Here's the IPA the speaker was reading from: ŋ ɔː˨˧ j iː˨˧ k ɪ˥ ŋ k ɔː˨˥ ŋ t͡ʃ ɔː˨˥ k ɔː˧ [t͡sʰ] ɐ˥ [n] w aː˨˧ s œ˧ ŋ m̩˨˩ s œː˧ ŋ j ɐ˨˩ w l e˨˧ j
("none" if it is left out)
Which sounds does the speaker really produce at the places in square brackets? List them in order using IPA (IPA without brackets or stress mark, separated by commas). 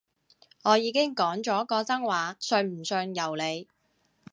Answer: t͡s, ŋ